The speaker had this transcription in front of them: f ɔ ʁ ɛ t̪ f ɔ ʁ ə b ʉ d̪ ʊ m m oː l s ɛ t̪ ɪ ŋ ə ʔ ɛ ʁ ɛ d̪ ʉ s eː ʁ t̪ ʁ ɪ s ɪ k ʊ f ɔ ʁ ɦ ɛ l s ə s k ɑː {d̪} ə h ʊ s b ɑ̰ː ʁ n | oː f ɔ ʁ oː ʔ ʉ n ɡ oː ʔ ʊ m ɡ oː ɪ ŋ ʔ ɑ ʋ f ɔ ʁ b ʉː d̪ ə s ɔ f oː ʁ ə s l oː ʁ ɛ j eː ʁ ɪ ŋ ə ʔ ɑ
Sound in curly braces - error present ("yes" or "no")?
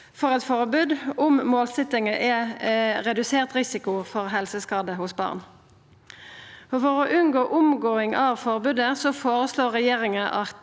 no